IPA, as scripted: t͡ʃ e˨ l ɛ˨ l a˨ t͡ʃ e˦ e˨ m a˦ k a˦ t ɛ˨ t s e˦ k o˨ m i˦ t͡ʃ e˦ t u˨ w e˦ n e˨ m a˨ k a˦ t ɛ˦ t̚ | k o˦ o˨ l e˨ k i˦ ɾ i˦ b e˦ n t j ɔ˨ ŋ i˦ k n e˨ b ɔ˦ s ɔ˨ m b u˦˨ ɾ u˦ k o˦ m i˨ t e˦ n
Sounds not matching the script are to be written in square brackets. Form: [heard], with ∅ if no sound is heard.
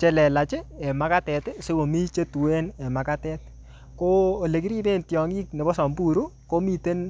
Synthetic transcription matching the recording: t͡ʃ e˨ l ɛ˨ l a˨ t͡ʃ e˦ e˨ m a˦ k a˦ t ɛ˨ t s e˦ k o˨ m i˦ t͡ʃ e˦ t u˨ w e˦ n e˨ m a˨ k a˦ t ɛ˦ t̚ | k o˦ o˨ l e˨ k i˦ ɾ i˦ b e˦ n t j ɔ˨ ŋ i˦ k n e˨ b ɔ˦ s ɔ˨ m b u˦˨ ɾ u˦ k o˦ m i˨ t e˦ n